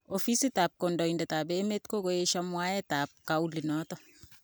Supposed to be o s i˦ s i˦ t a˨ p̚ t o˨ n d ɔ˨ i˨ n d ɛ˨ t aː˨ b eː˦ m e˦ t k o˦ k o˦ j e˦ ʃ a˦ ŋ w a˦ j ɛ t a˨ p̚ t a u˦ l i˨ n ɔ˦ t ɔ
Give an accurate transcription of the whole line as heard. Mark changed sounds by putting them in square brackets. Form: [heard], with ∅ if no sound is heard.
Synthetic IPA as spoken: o [f] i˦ s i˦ t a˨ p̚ [k] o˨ n d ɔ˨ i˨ n d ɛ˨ t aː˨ b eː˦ m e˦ t k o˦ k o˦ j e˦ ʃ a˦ [m] w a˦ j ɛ t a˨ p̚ [k] a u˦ l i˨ n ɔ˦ t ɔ